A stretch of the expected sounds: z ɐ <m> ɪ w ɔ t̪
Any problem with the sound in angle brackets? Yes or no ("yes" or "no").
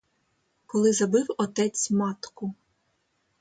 yes